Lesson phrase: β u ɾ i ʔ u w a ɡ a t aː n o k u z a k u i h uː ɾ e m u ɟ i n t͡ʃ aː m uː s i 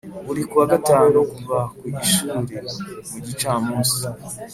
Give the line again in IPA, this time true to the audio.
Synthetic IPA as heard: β u ɾ i k u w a ɡ a t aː n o k u v a k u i ʃ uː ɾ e m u ɟ i t͡ʃ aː m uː s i